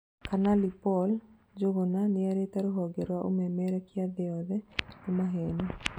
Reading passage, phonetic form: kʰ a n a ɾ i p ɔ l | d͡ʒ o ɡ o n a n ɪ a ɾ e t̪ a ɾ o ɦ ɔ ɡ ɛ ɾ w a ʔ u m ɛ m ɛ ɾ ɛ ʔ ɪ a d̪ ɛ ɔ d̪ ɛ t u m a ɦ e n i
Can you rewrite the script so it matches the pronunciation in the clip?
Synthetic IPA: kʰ a n a l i p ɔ l | d͡ʒ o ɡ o n a n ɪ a ɾ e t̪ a ɾ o ɦ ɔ ɡ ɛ ɾ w a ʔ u m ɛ m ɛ ɾ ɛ k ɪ a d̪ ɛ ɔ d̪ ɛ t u m a ɦ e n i